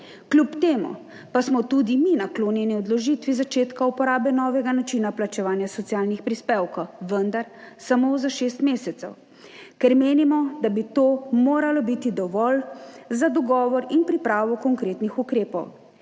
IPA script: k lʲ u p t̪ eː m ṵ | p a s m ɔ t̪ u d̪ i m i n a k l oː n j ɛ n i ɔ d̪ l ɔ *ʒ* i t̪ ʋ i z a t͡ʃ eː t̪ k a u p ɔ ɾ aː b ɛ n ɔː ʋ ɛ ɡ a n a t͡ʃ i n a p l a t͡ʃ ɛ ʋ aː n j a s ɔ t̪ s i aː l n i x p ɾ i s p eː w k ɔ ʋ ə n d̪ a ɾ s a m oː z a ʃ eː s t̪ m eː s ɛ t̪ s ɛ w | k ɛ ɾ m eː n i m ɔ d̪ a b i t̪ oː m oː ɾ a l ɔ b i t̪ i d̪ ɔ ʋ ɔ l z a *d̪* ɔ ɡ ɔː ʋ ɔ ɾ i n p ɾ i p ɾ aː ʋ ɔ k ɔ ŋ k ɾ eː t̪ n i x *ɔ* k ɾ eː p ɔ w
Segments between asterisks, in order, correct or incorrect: correct, correct, incorrect

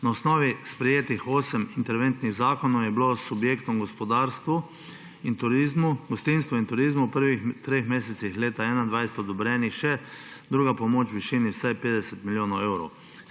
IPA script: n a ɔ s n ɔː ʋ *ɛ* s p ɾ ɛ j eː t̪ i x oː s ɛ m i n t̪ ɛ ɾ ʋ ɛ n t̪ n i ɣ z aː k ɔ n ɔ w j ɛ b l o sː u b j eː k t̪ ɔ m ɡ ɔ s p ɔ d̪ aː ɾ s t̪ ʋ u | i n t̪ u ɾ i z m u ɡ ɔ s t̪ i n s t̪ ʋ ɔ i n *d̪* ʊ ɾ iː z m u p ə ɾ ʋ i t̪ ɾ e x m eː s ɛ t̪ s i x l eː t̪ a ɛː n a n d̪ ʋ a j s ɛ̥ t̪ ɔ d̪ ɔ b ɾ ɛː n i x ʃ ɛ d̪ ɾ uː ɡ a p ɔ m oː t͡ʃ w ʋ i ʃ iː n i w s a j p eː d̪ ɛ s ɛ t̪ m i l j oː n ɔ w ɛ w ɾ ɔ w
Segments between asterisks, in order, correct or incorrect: incorrect, incorrect

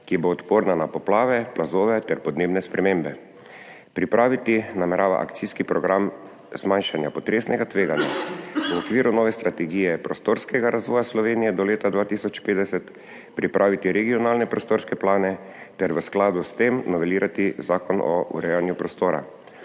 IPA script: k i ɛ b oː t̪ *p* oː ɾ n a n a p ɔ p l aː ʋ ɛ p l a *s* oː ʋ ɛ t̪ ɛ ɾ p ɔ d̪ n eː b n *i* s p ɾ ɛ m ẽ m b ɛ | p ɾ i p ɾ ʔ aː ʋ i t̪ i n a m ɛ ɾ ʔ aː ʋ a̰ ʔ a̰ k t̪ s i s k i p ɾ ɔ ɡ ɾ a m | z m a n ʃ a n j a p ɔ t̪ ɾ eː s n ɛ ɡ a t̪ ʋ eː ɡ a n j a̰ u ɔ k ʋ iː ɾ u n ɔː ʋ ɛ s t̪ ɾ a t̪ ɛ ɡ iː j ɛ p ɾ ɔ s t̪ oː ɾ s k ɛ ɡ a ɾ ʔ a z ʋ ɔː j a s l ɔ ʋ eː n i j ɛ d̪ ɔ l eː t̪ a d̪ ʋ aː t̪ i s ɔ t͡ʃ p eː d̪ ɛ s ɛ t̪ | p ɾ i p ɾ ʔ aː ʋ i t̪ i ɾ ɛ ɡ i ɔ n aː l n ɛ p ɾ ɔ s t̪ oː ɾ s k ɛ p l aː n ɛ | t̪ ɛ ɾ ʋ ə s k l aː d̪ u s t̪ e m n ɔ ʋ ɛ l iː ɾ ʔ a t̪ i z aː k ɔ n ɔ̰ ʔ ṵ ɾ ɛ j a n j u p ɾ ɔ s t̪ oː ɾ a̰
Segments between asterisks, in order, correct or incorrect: correct, incorrect, incorrect

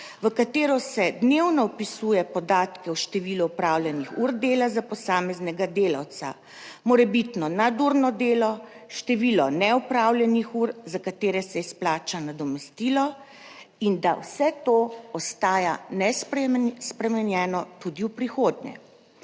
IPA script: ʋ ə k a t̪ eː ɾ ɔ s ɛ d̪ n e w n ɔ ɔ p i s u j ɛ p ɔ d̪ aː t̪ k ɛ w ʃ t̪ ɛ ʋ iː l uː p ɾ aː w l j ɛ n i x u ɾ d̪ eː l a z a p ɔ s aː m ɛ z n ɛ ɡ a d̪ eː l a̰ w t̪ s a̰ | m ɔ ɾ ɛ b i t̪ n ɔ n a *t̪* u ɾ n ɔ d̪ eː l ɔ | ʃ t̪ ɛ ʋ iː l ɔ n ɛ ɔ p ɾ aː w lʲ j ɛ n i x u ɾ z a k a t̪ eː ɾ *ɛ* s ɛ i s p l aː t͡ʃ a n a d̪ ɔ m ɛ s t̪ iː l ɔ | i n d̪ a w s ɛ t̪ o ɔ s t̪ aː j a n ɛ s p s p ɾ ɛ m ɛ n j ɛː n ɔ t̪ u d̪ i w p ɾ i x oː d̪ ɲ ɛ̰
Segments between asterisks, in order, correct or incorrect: incorrect, correct

